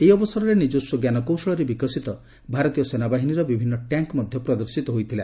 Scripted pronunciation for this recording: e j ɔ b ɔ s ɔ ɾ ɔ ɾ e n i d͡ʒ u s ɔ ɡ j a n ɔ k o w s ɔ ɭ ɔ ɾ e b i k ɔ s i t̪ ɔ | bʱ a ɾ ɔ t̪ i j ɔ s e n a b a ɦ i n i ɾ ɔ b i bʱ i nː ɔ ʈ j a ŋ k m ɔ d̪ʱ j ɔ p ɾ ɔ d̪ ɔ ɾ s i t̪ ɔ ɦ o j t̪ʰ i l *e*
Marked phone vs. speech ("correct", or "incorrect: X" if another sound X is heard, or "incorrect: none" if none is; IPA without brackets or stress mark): incorrect: a